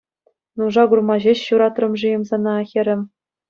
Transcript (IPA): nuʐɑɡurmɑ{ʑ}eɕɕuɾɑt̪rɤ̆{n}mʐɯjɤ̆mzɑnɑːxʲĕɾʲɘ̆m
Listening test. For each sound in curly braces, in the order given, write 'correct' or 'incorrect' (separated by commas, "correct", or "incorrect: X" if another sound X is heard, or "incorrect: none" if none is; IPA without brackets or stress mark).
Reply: correct, incorrect: none